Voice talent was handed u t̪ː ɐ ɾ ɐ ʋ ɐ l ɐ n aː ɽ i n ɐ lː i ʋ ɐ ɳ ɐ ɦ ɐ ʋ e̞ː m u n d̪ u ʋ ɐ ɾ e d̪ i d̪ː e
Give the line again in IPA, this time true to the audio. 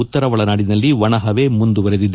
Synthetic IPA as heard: u t̪ː ɐ ɾ ɐ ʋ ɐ ɭ ɐ n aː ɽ i n ɐ lː i ʋ ɐ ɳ ɐ ɦ ɐ ʋ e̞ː m u n d̪ u ʋ ɐ ɾ e d̪ i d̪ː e